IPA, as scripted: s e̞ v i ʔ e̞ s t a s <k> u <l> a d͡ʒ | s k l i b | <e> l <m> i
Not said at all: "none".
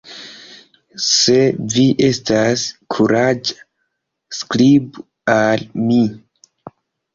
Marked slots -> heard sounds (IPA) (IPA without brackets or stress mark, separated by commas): kʰ, ɾ, a, m